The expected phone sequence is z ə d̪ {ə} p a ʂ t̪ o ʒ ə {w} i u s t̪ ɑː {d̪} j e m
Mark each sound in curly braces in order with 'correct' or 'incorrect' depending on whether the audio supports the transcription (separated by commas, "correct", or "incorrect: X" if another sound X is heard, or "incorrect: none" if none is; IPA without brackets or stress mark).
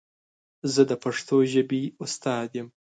correct, incorrect: b, correct